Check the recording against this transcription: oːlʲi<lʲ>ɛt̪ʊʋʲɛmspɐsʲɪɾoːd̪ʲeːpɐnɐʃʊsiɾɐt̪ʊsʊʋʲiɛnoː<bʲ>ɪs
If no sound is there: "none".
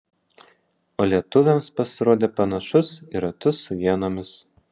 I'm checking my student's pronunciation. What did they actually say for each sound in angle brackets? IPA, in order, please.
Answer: none, mʲ

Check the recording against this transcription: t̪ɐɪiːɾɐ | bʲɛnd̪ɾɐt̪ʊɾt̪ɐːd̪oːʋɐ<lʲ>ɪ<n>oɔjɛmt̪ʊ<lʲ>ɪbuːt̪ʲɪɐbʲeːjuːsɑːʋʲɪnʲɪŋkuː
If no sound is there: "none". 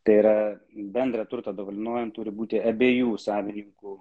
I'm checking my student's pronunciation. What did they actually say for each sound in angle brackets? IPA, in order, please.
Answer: lʲ, n, ɾʲ

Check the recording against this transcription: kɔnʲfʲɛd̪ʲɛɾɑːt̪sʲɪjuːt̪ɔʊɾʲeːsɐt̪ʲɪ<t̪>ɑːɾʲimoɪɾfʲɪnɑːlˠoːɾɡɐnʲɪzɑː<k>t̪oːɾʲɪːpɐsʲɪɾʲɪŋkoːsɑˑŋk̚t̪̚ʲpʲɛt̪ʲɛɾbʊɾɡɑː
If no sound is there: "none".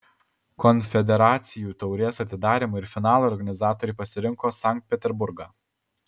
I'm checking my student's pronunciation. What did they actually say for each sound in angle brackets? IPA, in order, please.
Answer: d̪, none

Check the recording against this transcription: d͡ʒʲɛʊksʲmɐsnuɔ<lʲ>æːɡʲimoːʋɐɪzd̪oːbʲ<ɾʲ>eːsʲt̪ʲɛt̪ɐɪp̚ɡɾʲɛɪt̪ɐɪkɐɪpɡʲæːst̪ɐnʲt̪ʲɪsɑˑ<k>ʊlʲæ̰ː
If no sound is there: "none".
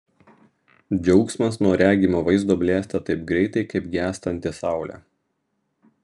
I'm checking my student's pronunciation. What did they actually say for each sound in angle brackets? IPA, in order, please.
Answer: ɾʲ, lʲ, none

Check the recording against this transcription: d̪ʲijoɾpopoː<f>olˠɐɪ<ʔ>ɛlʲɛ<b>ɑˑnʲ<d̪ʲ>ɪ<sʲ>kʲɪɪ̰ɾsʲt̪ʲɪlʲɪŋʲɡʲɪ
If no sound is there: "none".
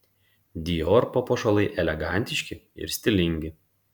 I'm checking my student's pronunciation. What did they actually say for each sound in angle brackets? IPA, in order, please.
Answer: ʃ, ʔ, ɡ, t̪ʲ, ʃʲ

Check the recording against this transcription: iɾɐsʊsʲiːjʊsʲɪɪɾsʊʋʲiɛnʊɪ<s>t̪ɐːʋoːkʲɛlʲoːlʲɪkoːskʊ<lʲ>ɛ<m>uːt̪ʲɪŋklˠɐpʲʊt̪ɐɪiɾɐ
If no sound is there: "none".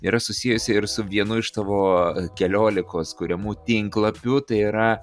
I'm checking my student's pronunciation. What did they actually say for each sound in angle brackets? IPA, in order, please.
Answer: ʃ, ɾʲ, m

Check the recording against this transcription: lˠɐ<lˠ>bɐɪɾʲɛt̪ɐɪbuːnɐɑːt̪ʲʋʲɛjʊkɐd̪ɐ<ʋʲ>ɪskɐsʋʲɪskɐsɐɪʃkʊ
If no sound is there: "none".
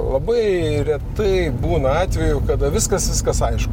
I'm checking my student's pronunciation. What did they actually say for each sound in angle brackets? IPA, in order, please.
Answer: none, ʋʲ

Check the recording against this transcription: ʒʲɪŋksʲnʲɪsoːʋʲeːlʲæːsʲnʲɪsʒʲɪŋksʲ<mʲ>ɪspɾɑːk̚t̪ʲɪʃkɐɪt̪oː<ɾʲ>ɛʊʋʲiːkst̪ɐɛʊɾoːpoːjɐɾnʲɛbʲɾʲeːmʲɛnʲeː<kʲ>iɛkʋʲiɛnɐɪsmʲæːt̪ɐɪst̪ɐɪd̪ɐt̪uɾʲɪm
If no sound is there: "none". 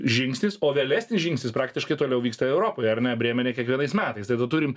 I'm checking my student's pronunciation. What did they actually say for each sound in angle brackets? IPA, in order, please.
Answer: nʲ, lʲ, kʲ

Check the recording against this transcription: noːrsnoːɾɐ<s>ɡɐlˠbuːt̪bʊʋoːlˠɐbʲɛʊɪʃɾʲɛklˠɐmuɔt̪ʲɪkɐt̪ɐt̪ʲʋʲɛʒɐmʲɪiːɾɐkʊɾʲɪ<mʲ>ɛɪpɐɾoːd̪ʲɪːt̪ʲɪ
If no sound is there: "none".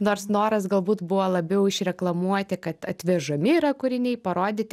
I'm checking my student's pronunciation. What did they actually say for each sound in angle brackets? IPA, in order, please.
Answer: s, nʲ

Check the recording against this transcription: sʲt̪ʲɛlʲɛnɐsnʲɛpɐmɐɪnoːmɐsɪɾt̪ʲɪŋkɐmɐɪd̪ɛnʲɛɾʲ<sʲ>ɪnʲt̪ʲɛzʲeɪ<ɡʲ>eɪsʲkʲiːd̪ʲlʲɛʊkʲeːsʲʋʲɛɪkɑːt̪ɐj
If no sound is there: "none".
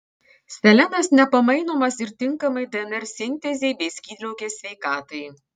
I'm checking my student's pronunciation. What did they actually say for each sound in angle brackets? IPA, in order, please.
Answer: sʲ, bʲ

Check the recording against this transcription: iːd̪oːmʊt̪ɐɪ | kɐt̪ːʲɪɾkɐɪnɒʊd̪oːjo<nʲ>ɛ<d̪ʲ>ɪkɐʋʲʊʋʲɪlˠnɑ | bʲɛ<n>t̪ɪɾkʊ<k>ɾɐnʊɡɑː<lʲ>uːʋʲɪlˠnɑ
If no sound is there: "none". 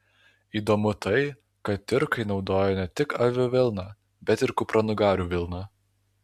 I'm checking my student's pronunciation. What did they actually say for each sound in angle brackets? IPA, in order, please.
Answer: nʲ, t̪ʲ, none, p, ɾʲ

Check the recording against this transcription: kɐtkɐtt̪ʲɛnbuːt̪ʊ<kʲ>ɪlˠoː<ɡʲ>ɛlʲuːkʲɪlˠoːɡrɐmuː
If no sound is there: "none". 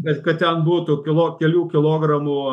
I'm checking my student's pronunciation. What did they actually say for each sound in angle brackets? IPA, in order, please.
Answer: kʲ, kʲ

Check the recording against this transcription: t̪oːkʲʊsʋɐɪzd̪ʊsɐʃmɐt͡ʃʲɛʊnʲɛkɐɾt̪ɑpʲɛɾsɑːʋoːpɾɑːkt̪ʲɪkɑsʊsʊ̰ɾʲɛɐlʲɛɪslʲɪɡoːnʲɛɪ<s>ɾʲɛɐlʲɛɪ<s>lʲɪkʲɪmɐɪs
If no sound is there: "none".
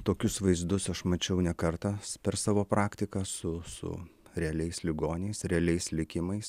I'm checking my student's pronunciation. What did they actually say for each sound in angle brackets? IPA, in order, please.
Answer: s, s

